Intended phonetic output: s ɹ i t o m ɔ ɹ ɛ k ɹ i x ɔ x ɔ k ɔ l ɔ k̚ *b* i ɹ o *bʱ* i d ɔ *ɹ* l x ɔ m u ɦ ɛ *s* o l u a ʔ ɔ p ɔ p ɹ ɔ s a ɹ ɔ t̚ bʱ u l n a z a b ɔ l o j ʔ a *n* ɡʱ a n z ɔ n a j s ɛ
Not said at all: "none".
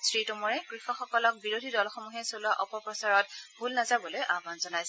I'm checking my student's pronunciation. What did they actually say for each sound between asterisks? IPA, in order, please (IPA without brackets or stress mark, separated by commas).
b, dʱ, none, s, none